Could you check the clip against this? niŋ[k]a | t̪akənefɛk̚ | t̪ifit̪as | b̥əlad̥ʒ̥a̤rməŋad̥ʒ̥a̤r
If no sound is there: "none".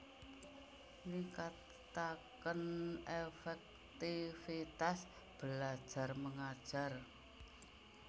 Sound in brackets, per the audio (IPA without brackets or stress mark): k